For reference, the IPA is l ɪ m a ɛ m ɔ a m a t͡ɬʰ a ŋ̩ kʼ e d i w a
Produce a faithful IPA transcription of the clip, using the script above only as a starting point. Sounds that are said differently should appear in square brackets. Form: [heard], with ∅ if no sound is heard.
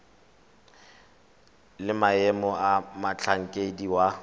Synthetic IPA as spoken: l ɪ m a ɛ m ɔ a m a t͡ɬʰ a ŋ̩ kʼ e d i w a